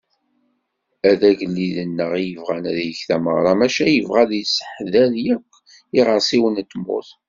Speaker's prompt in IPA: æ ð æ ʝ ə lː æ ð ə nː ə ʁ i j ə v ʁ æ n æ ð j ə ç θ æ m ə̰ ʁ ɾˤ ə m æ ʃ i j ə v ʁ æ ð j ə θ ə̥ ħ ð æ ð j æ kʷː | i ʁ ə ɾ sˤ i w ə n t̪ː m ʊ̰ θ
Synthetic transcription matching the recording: æ ð æ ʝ ə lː i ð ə nː ə ʁ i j ə v ʁ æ n æ ð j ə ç θ æ m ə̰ ʁ ɾˤ ɑ m æ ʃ æ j ə v ʁ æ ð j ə s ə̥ ħ ð æ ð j æ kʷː | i ʁ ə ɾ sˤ i w ə n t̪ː m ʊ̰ θ